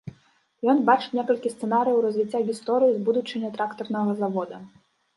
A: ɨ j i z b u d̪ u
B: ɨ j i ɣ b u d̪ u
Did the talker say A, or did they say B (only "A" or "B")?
A